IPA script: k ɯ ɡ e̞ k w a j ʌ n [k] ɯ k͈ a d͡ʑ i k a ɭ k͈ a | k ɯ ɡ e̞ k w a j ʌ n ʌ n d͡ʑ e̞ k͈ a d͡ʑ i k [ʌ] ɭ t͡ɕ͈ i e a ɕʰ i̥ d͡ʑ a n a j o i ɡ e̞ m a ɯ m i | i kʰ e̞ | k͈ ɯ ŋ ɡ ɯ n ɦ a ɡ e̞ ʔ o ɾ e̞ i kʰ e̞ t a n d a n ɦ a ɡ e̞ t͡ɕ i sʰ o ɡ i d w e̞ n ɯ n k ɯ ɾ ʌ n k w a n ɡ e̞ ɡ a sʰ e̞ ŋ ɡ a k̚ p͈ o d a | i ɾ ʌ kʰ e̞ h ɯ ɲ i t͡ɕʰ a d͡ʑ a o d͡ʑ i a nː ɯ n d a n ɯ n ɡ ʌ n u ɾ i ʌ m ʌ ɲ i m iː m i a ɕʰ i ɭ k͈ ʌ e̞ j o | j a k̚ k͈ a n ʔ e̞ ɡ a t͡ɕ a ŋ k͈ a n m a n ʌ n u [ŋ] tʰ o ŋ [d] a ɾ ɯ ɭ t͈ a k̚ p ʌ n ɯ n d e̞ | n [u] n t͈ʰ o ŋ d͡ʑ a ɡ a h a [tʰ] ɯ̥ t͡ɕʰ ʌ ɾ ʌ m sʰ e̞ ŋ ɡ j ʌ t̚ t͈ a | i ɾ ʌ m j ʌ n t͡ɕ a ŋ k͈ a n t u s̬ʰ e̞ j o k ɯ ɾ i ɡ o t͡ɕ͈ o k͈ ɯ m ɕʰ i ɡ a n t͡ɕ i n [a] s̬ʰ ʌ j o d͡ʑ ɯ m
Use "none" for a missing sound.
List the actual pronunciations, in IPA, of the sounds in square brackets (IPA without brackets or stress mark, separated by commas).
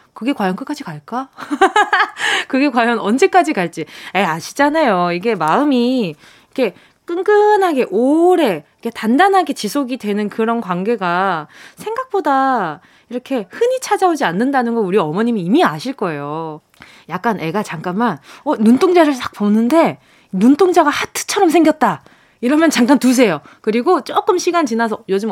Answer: k, a, n, d͡ʑ, u, tʰ, a